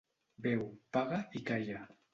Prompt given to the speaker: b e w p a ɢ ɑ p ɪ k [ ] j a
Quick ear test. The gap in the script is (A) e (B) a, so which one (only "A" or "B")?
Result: B